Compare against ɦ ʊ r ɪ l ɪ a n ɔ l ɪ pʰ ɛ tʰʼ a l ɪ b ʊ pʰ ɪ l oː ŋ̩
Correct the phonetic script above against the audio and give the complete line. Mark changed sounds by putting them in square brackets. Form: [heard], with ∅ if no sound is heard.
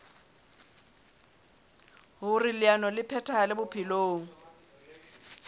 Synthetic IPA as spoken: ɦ ʊ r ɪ l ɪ a n ɔ l ɪ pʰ ɛ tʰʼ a l ɪ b ʊ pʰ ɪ l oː ŋ̩